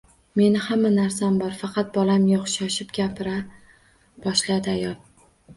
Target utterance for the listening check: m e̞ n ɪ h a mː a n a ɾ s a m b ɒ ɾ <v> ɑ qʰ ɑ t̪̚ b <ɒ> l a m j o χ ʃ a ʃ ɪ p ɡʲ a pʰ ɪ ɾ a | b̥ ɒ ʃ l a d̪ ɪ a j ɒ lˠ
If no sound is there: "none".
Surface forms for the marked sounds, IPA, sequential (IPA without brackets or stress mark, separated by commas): f, ɒ